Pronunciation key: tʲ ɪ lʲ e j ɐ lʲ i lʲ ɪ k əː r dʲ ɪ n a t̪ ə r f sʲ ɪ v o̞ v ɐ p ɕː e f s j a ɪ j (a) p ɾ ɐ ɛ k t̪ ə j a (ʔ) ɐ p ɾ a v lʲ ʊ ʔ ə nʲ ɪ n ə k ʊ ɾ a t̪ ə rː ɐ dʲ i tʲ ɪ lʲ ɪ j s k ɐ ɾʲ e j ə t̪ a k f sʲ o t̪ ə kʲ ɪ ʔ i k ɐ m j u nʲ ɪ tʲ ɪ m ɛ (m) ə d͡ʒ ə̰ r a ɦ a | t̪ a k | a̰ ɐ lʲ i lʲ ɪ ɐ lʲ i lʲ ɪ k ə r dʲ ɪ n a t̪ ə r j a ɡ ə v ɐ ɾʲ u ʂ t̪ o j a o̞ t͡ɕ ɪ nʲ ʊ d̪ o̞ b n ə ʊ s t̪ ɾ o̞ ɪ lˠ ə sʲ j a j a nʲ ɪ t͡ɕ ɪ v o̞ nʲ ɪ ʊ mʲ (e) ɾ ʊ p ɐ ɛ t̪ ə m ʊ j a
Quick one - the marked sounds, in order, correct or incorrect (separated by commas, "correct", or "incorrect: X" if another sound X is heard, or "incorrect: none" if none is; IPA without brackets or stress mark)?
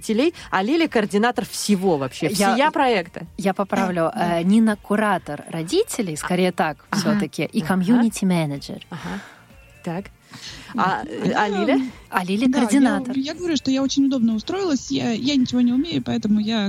correct, incorrect: p, incorrect: n, correct